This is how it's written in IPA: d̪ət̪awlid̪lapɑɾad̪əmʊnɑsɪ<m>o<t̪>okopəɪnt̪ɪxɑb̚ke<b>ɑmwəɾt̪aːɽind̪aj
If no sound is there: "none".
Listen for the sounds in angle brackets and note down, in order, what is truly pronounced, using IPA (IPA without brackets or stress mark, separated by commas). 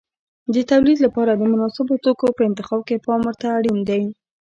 b, t̪, p